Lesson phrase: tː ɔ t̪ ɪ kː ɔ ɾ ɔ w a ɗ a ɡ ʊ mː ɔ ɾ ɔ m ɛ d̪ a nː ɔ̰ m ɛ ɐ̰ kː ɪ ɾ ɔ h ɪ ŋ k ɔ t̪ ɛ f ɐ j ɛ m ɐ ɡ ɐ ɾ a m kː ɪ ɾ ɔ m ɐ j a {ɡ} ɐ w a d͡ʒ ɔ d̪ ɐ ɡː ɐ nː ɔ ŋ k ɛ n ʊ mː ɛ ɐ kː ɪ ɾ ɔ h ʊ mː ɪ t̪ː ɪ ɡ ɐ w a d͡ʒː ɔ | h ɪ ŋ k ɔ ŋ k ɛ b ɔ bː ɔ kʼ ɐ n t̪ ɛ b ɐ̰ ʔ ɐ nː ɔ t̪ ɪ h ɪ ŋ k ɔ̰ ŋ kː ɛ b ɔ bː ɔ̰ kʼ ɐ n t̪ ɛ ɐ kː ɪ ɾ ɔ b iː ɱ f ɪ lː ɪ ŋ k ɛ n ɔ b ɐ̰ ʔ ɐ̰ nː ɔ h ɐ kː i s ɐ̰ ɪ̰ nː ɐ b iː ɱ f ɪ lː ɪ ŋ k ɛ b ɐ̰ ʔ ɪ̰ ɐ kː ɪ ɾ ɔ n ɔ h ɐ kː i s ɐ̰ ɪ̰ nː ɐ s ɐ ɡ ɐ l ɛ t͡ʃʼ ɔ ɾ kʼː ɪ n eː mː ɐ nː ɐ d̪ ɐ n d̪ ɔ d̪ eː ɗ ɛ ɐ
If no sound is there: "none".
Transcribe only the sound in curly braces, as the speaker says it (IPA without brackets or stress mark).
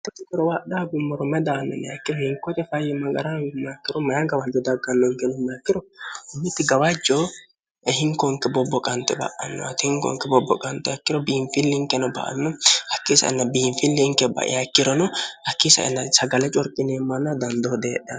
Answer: ɡ